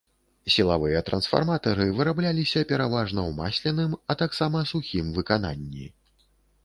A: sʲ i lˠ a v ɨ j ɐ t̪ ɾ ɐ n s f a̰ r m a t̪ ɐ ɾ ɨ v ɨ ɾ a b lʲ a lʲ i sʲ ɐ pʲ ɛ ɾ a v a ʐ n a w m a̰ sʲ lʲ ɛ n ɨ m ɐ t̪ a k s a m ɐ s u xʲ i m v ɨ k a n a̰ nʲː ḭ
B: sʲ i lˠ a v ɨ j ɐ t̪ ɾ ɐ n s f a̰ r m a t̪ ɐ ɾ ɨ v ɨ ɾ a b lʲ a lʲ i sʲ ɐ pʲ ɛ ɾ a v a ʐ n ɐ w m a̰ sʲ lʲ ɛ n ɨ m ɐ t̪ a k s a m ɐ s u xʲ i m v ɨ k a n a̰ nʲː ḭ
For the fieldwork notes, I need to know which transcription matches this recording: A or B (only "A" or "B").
B